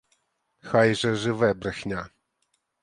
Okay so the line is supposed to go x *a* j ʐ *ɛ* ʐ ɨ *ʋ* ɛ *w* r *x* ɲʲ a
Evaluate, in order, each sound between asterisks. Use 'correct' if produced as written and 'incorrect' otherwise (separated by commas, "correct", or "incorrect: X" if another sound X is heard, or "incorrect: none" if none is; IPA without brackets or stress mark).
correct, correct, incorrect: v, incorrect: b, correct